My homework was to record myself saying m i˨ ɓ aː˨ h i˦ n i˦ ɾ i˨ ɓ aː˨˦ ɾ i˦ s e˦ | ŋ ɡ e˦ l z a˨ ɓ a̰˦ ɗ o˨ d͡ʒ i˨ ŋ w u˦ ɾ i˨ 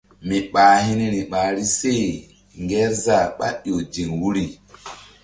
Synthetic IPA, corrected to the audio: m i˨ ɓ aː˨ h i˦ n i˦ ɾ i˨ ɓ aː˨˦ ɾ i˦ s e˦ | ŋ ɡ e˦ ɾ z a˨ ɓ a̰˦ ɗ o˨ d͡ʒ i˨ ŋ w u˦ ɾ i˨